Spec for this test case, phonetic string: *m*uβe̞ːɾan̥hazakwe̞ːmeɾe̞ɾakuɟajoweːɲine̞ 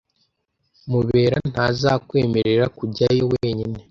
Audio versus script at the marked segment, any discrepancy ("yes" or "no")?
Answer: no